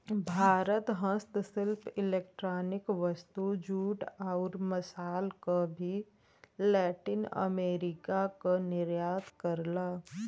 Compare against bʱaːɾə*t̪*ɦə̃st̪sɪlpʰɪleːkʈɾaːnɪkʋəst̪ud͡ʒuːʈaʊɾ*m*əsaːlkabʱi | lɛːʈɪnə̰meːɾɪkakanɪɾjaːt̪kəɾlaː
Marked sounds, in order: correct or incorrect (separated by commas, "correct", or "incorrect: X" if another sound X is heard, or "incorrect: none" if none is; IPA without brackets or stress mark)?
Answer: correct, correct